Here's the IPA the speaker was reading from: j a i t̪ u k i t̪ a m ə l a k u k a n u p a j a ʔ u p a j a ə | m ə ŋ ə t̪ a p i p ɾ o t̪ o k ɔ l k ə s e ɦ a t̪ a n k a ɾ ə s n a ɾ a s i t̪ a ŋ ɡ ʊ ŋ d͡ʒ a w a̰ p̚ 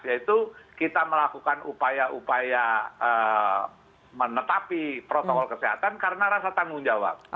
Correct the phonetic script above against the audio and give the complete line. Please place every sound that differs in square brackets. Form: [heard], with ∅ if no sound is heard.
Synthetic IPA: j a i t̪ u k i t̪ a m ə l a k u k a n u p a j a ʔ u p a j a ə | m ə [n] ə t̪ a p i p ɾ o t̪ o k ɔ l k ə s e ɦ a t̪ a n k a ɾ ə [∅] n a ɾ a s [a] t̪ a ŋ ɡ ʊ ŋ d͡ʒ a w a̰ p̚